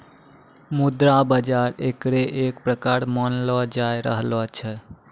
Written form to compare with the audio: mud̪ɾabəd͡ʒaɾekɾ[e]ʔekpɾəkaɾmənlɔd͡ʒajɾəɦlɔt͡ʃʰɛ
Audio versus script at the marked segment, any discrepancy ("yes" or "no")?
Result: no